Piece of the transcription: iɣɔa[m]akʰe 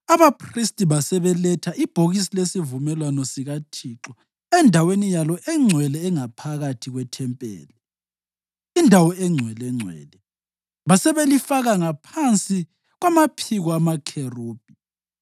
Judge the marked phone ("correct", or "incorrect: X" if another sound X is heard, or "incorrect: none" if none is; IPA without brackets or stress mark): correct